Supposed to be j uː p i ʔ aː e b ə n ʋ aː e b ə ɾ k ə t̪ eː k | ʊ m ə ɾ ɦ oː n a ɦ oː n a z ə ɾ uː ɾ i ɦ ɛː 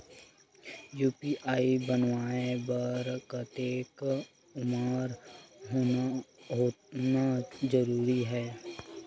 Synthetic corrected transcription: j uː p i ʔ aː i b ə n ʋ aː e b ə ɾ k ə t̪ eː k | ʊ m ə ɾ ɦ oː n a ɦ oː n a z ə ɾ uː ɾ i ɦ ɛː